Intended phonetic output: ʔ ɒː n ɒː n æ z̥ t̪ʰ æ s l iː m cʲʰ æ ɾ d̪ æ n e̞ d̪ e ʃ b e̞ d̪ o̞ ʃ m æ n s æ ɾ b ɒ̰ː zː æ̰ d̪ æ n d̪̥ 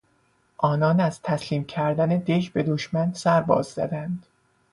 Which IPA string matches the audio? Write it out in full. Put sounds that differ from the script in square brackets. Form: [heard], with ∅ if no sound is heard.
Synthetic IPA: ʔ ɒː n ɒː n æ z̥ t̪ʰ æ s l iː m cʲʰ æ ɾ d̪ æ n e̞ d̪ e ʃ b e̞ d̪ o̞ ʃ m æ n s æ ɾ b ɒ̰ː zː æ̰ d̪ æ n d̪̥